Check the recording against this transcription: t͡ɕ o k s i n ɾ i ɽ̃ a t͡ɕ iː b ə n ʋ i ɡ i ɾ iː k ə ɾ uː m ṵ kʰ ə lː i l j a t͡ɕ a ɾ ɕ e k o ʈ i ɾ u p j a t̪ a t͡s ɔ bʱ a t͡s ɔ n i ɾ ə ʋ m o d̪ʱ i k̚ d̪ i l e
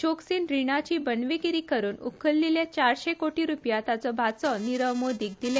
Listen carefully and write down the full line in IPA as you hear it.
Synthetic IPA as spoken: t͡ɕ o k s i n ɾ i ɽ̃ a t͡ɕ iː b ə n ʋ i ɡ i ɾ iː k ə ɾ uː n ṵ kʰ ə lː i l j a t͡ɕ a ɾ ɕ e k o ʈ i ɾ u p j a t̪ a t͡s ɔ bʱ a t͡s ɔ n i ɾ ə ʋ m o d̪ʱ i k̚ d̪ i l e